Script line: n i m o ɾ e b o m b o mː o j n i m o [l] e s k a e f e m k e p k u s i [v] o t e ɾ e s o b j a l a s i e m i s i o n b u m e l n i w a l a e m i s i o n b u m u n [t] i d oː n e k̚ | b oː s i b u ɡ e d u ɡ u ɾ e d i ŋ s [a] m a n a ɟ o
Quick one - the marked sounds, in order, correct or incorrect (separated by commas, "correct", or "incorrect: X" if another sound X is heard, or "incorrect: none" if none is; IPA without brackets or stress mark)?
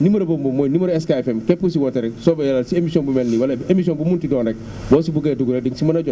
incorrect: ɾ, incorrect: w, correct, incorrect: i